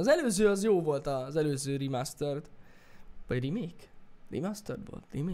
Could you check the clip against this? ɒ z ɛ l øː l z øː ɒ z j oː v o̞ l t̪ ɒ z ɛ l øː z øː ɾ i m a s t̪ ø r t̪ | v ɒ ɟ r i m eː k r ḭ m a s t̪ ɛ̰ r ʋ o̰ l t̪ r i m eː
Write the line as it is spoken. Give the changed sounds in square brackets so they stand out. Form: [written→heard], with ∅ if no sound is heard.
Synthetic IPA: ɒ z ɛ l øː [l→∅] z øː ɒ z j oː v o̞ l t̪ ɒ z ɛ l øː z øː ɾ i m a s t̪ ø r t̪ | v ɒ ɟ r i m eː k r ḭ m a s t̪ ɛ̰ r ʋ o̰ l t̪ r i m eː